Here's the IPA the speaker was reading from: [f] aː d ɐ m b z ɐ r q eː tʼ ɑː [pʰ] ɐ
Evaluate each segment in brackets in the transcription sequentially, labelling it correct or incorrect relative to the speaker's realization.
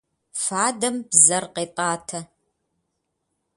correct, incorrect

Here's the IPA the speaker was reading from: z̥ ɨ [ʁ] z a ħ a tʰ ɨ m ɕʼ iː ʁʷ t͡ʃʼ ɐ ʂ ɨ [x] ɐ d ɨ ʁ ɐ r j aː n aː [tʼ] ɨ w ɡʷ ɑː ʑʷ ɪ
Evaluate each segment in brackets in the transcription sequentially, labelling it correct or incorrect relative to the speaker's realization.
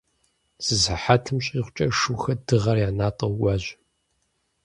incorrect, correct, correct

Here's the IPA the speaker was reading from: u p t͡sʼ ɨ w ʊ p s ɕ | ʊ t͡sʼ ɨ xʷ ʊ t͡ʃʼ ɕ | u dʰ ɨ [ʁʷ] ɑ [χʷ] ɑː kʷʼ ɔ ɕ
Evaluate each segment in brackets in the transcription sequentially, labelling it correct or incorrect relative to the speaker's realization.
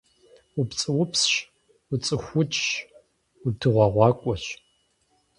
correct, incorrect

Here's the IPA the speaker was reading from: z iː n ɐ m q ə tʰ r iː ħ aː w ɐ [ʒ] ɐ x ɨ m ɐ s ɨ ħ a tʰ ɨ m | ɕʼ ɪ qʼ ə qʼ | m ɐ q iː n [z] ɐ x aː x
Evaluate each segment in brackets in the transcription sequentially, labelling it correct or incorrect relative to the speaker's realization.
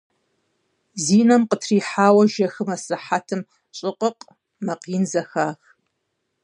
correct, correct

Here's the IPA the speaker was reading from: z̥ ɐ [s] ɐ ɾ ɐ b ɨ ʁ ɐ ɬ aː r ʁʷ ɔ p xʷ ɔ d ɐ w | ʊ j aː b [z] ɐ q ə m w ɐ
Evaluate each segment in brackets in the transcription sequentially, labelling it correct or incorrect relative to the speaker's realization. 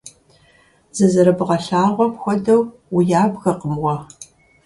incorrect, incorrect

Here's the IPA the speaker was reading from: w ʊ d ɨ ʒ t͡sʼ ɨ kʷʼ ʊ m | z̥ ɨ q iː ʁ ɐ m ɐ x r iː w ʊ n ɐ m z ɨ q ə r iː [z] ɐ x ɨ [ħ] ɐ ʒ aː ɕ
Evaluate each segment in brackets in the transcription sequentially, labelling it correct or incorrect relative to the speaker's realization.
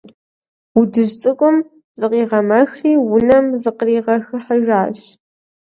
incorrect, correct

